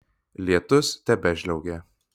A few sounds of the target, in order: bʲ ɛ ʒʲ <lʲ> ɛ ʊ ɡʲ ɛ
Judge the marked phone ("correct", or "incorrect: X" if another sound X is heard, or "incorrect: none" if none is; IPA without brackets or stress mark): correct